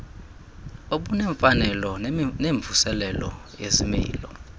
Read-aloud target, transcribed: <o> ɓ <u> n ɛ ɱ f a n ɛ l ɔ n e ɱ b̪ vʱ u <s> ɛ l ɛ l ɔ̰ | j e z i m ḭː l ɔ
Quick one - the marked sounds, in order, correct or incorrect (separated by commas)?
correct, correct, correct